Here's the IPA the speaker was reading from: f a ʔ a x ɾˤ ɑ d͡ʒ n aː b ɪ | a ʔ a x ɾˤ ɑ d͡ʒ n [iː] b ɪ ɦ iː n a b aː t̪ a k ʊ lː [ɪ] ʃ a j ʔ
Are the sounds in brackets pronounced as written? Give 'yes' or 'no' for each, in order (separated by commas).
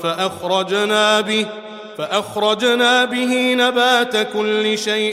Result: no, yes